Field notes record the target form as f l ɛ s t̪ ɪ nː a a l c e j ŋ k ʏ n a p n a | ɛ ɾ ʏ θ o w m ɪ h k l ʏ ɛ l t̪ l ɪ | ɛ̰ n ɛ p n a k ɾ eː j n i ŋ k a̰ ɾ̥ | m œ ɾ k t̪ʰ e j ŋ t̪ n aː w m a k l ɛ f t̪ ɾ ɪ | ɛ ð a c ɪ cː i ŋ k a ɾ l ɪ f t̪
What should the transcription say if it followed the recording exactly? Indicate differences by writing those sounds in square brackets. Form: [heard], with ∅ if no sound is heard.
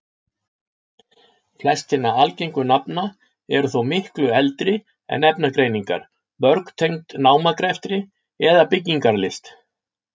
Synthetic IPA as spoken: f l ɛ s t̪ ɪ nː a a l c e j ŋ k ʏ n a p n a | ɛ ɾ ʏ θ o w m ɪ h k l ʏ ɛ l t̪ [ɾ] ɪ | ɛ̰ n ɛ p n a k ɾ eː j n i ŋ k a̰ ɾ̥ | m œ ɾ k t̪ʰ e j ŋ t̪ n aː w m a k [ɾ] ɛ f t̪ ɾ ɪ | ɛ ð a [p] ɪ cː i ŋ k a ɾ l ɪ [s] t̪